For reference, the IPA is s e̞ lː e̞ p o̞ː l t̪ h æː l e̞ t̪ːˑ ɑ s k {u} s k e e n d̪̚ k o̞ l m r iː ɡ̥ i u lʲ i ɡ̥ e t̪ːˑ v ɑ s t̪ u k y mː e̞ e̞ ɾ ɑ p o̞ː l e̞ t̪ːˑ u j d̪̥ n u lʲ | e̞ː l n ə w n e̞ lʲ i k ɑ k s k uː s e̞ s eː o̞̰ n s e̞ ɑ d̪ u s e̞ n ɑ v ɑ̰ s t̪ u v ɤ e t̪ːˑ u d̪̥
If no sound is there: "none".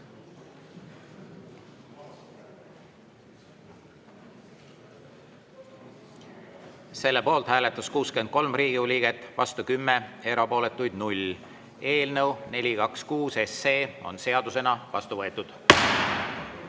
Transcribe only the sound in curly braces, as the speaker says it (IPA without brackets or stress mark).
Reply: uː